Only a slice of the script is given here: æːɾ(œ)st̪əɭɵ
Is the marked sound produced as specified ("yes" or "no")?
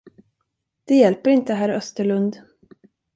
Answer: yes